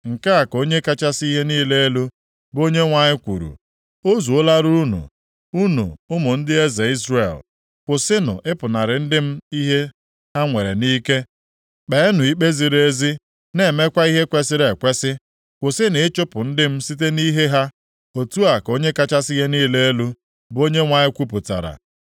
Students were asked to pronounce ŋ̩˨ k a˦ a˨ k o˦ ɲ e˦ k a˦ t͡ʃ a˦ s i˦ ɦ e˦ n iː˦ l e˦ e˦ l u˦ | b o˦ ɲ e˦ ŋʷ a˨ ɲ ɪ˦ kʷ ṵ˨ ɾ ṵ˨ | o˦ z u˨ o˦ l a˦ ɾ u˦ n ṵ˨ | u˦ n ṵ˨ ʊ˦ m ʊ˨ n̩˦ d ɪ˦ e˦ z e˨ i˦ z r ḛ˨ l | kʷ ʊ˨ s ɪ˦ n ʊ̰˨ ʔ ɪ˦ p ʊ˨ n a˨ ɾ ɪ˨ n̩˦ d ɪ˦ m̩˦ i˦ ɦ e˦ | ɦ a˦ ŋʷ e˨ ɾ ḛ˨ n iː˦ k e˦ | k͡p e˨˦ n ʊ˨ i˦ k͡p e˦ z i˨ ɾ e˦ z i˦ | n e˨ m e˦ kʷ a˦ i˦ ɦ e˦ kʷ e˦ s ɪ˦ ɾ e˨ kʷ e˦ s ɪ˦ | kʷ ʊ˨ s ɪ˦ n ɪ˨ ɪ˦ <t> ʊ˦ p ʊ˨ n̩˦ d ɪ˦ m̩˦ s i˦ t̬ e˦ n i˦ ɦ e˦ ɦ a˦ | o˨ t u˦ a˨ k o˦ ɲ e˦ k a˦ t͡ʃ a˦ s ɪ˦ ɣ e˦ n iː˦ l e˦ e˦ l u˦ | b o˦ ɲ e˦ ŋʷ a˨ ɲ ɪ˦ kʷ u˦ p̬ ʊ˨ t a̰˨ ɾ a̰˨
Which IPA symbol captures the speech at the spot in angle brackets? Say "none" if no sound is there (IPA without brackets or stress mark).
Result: t͡ʃ